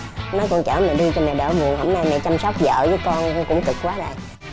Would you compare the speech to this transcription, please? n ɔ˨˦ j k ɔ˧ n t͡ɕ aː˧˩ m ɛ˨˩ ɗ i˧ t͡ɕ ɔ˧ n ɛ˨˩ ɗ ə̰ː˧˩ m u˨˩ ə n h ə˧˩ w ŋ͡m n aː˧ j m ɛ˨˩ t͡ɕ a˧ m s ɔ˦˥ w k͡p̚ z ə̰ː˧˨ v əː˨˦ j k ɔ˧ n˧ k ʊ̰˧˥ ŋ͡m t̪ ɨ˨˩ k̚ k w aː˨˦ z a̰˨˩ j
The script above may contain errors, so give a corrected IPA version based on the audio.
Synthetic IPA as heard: n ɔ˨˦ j k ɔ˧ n t͡ɕ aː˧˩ m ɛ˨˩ ɗ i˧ t͡ɕ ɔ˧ m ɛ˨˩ ɗ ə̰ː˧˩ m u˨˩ ə n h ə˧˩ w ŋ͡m n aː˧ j m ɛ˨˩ t͡ɕ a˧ m s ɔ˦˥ w k͡p̚ z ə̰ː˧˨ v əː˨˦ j k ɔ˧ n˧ k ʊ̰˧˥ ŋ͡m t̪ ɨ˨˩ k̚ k w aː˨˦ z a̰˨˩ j